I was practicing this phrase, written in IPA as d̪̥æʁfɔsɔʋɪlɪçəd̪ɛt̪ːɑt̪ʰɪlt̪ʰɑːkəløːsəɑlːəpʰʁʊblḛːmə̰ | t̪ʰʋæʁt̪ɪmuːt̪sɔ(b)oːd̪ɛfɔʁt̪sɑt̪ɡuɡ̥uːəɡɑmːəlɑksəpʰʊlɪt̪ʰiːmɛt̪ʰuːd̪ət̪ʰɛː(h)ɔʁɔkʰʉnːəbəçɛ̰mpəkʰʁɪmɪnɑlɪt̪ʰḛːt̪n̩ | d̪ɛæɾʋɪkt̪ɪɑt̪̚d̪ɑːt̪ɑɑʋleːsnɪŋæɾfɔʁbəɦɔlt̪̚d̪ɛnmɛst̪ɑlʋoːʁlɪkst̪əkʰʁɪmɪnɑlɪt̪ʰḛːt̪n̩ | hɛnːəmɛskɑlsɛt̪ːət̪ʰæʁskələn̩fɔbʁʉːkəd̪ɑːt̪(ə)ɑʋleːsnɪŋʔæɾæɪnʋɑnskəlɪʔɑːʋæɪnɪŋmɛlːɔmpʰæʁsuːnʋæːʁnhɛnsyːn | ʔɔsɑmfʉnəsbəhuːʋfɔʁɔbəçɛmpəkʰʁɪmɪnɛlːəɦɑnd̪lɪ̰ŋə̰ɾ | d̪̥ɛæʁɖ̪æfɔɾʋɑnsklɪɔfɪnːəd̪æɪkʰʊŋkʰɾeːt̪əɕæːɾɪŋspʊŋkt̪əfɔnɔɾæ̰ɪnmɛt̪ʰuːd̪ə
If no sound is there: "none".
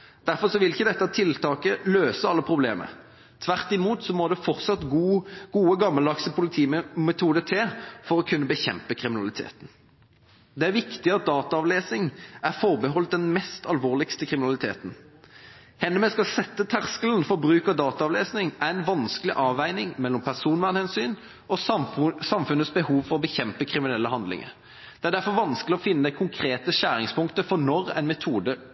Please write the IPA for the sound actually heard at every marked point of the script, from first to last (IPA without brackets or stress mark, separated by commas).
m, f, ɑ